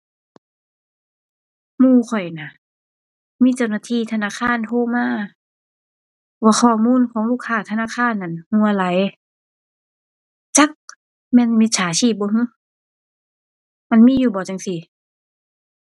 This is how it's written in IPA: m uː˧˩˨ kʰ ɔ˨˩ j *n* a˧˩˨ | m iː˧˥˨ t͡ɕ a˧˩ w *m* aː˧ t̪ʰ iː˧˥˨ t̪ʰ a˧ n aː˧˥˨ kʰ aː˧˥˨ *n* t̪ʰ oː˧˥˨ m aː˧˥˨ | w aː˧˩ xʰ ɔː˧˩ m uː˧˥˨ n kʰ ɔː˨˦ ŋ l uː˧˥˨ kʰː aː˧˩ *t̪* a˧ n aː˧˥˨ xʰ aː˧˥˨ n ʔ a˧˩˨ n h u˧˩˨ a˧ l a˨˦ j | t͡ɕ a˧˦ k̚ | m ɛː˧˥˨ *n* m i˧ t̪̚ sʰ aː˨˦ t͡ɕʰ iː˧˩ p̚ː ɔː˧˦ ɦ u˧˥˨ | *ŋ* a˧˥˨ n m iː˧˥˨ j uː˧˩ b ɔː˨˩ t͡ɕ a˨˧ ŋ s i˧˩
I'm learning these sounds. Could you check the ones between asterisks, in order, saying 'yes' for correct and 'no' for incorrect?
yes, no, yes, no, yes, no

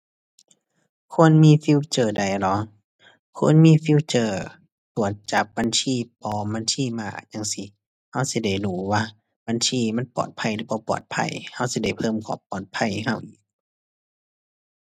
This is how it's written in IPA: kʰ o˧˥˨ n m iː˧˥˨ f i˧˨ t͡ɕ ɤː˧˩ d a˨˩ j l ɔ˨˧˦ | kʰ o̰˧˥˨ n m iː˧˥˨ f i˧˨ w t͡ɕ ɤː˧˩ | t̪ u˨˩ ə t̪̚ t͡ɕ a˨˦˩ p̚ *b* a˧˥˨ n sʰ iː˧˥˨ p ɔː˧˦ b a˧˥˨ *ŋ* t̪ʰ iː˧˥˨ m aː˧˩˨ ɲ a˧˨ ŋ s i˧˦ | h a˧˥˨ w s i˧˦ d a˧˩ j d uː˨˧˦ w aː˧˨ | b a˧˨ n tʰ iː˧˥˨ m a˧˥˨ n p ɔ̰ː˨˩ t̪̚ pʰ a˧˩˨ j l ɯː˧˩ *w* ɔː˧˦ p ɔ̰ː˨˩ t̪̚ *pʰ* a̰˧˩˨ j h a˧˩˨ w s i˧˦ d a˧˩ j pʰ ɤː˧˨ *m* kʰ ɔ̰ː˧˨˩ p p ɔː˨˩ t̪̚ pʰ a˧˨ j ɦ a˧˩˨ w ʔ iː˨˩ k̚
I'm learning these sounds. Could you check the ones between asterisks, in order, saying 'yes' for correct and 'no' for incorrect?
yes, no, no, yes, yes

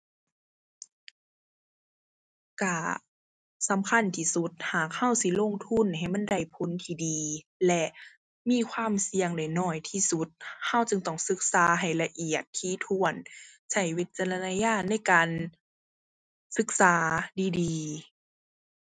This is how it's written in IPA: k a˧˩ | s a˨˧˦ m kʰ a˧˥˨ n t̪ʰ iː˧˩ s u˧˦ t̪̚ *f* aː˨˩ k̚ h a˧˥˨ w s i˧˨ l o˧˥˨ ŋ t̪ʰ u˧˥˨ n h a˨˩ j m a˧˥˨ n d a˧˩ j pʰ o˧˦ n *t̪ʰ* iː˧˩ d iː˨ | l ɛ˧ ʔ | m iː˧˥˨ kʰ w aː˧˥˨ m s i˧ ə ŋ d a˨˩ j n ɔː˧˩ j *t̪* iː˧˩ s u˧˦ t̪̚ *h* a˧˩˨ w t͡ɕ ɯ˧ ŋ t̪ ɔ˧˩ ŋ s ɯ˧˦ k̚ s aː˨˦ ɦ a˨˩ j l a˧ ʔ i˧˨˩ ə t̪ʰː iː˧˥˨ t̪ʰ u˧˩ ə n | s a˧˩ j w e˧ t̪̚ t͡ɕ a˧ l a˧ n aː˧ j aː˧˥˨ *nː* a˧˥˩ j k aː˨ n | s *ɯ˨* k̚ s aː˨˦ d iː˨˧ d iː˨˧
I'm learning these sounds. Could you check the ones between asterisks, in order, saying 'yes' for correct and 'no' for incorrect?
no, yes, no, yes, no, no

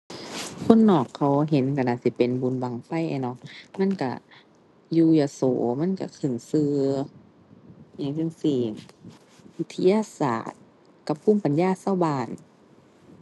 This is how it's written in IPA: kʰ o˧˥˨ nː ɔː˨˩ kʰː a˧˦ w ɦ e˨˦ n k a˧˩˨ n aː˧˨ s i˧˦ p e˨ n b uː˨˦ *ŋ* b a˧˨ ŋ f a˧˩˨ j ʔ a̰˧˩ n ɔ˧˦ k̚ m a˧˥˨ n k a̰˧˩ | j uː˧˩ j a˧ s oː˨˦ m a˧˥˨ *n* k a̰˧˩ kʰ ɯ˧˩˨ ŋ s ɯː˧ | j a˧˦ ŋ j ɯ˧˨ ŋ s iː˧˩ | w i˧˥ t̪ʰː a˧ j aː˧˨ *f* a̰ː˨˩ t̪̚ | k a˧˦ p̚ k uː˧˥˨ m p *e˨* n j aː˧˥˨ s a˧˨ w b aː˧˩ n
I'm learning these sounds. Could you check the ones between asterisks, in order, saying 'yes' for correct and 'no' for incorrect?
no, yes, no, no

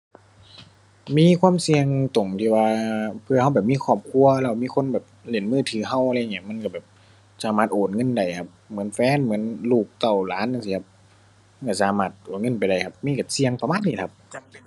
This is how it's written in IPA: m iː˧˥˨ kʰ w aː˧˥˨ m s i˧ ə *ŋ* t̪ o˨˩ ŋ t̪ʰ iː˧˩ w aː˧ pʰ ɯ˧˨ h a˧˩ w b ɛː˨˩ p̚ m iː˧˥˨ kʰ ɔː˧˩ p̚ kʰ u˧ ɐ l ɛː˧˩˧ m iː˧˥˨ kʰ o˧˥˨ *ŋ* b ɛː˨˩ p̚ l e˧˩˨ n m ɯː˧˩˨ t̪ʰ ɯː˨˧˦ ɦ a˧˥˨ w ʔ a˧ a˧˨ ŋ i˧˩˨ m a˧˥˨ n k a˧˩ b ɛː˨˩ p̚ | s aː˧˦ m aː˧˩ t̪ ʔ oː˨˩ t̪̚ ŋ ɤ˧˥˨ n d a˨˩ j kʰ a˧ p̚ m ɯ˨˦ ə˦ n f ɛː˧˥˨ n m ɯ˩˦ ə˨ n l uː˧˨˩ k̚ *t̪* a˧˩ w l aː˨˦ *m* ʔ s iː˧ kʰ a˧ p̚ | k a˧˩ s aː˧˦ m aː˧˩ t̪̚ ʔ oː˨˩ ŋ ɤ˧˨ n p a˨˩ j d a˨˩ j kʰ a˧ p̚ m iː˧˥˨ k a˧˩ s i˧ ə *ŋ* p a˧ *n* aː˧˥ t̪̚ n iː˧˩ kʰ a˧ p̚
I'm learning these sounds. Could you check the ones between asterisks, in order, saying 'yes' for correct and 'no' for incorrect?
yes, no, yes, no, yes, no

